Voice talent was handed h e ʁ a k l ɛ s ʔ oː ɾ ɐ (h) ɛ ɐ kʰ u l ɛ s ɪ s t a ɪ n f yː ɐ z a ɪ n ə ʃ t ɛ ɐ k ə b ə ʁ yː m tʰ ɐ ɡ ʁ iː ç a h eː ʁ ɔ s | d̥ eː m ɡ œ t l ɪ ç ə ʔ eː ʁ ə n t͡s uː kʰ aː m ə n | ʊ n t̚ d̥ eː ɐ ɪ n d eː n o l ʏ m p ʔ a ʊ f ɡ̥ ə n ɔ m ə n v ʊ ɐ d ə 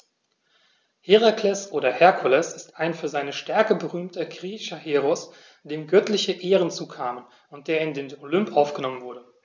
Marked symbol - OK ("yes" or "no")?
yes